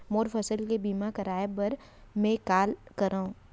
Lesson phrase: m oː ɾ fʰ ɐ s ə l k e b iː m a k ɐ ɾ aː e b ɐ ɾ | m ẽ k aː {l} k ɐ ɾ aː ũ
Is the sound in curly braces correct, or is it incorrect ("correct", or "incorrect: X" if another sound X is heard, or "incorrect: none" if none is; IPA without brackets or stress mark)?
correct